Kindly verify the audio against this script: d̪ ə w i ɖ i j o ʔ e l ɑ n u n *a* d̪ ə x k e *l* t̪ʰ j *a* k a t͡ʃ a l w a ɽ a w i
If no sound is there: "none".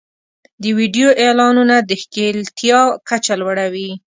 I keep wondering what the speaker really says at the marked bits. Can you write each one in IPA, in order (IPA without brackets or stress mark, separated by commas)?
a, l, ɑ